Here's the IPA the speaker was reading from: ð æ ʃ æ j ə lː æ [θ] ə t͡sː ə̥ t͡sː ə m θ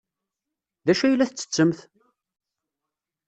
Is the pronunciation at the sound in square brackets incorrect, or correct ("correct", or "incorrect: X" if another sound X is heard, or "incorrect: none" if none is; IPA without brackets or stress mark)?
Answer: correct